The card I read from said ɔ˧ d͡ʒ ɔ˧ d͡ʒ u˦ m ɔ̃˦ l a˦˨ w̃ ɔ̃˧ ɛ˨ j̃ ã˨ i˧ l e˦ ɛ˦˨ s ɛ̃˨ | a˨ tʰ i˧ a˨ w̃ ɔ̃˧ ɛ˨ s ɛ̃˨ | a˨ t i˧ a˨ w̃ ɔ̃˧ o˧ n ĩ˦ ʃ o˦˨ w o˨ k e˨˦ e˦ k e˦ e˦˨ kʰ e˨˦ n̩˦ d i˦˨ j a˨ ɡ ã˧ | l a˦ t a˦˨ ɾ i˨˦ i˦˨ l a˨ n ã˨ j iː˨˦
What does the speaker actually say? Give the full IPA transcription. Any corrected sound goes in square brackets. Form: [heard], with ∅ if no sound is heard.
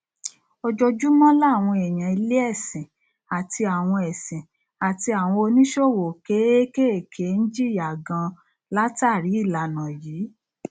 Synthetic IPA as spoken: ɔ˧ d͡ʒ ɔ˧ d͡ʒ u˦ m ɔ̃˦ l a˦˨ w̃ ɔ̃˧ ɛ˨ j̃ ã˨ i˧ l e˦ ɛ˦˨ s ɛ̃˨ | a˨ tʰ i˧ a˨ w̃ ɔ̃˧ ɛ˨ s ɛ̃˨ | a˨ t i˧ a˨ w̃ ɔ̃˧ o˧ n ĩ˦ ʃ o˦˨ w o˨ k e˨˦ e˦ k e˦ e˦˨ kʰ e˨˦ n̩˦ [d͡ʒ] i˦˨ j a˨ ɡ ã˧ | l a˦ t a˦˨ ɾ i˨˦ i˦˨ l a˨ n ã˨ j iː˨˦